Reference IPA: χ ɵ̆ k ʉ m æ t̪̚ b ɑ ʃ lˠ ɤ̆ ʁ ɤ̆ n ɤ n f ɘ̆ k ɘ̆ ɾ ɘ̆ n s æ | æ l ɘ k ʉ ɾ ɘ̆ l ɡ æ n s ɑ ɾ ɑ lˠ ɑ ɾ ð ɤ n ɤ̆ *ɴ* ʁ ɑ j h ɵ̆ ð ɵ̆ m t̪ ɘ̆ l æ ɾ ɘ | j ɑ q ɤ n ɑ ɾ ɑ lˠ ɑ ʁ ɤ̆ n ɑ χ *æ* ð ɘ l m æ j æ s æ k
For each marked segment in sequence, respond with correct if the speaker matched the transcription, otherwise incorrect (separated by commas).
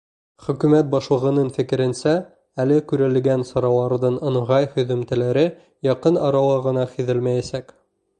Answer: correct, incorrect